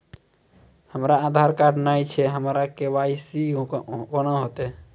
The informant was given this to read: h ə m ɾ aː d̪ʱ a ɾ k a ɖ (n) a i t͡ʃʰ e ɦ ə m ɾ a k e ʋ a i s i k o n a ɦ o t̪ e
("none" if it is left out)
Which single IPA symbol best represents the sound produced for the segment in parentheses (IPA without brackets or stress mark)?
n